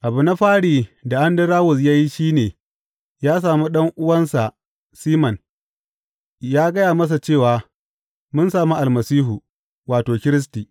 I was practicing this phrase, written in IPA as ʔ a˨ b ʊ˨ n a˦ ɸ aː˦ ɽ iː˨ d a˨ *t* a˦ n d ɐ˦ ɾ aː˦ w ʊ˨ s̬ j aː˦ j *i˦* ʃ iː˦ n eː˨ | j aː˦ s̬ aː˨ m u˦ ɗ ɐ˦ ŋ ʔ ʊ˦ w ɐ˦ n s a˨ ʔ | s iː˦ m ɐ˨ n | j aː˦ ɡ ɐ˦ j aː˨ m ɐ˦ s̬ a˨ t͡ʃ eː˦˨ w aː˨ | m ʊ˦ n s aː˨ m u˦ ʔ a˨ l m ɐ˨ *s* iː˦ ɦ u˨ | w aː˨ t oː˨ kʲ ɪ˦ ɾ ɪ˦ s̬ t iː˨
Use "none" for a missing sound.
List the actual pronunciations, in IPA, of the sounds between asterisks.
ʔ, i˦, s

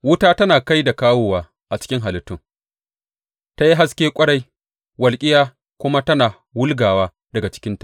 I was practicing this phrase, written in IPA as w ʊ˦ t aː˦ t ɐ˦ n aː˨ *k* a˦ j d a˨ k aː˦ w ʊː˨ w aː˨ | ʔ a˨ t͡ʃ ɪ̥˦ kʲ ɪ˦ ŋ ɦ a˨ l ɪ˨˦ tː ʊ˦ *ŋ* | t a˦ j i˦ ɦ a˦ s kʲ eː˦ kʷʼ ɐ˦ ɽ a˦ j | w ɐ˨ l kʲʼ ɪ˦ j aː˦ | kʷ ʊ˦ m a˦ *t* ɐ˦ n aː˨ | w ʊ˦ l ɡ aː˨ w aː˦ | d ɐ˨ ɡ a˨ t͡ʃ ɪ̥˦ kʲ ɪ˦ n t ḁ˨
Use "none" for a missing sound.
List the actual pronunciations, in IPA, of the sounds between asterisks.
k, ŋ, t

